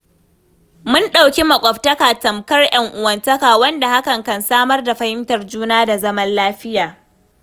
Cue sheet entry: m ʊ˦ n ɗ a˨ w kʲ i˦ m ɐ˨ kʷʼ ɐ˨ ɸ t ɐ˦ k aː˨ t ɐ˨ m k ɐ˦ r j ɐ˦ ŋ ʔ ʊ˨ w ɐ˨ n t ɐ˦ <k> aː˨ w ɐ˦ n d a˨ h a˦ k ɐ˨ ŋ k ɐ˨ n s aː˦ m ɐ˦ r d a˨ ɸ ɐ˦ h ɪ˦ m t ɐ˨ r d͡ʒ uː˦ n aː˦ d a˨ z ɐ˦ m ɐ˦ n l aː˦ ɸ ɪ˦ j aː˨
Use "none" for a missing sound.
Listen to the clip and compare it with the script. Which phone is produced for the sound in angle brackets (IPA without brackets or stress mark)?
k